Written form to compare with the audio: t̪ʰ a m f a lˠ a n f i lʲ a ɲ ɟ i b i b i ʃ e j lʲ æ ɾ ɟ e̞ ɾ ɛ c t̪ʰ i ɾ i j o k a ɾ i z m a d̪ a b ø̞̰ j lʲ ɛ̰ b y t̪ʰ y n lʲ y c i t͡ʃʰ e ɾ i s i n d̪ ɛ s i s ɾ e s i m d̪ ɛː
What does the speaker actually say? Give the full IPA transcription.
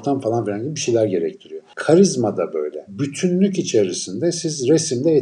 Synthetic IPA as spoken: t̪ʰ a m f a lˠ a n f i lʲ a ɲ ɟ i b i b i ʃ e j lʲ æ ɾ ɟ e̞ ɾ ɛ c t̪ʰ i ɾ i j o kʰ a ɾ i z m a d̪ a b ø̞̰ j lʲ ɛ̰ b y t̪ʰ y n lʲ y c i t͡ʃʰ e ɾ i s i n d̪ ɛ s i z ɾ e s i m d̪ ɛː